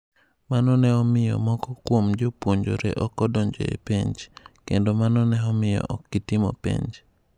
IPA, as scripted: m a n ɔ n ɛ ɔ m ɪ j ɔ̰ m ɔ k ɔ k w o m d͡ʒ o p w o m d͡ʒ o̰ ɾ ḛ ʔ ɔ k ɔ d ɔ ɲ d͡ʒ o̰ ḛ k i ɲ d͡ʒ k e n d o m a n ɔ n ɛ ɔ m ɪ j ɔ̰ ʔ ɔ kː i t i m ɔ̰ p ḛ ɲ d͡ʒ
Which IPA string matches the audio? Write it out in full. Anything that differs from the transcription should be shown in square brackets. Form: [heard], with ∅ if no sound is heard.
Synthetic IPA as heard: m a n ɔ n ɛ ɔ m ɪ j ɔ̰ m ɔ k ɔ k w o m d͡ʒ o p w o [ɲ] d͡ʒ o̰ ɾ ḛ ʔ ɔ k ɔ d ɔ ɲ d͡ʒ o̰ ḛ [p] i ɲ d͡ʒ k e n d o m a n ɔ n ɛ ɔ m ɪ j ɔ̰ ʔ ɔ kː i t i m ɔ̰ p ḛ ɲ d͡ʒ